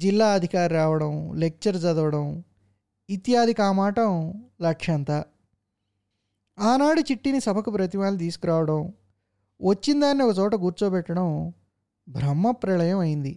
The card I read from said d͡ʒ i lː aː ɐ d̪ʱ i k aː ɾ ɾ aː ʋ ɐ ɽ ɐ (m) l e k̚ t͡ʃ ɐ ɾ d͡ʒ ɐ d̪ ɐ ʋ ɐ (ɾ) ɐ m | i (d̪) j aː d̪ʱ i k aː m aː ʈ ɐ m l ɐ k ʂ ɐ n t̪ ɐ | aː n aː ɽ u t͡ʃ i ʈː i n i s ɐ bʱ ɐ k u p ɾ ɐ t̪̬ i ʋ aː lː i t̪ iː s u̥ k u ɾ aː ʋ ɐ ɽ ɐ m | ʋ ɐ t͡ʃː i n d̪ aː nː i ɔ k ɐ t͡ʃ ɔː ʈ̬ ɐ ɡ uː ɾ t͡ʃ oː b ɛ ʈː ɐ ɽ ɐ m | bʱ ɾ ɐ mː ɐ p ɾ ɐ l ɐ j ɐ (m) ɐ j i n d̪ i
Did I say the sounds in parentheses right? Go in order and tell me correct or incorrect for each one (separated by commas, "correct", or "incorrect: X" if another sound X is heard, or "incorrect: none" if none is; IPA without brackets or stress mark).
correct, incorrect: ɽ, incorrect: t̪, correct